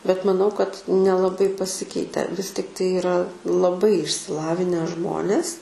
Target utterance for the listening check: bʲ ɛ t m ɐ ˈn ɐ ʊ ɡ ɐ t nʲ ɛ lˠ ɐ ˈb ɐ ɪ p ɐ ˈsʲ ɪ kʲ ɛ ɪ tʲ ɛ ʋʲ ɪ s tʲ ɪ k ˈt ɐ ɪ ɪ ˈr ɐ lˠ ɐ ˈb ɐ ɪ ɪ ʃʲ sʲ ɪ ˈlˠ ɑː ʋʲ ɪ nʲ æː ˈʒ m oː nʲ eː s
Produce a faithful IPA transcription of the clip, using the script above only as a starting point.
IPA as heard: bʲ ɛ t m ɐ ˈn ɐ ʊ k ɐ t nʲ ɛ lˠ ɐ ˈb ɐ ɪ p ɐ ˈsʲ ɪ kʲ ɛ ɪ tʲ ɛ ʋʲ ɪ s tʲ ɪ k ˈt ɐ ɪ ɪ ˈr ɐ lˠ ɐ ˈb ɐ ɪ ɪ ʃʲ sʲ ɪ ˈlˠ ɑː ʋʲ ɪ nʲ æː ˈʒ m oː nʲ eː s